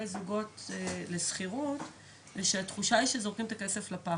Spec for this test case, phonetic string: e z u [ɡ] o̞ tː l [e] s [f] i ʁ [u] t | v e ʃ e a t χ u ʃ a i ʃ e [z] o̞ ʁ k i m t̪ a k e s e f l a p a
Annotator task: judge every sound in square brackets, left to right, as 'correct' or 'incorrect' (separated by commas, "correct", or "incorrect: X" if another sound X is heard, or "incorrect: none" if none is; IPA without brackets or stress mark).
correct, correct, incorrect: χ, correct, correct